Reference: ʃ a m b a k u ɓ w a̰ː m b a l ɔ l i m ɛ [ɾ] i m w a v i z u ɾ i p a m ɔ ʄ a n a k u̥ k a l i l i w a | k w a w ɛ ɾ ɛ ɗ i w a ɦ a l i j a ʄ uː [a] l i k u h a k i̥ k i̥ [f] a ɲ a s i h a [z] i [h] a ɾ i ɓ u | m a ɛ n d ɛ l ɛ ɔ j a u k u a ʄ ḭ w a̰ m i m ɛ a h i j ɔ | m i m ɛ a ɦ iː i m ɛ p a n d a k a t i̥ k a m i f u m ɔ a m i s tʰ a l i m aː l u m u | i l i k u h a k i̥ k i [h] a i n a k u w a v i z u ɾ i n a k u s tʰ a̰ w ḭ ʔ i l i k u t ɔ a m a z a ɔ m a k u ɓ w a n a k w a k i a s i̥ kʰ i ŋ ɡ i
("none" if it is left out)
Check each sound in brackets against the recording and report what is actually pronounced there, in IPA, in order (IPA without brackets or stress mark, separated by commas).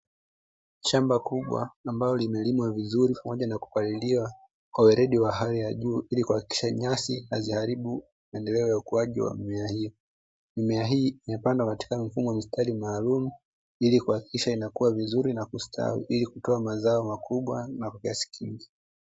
l, i, ʃ, z, h, ʃ